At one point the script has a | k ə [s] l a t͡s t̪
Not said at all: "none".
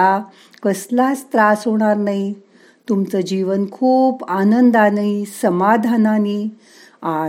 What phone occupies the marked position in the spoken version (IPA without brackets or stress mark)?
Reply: s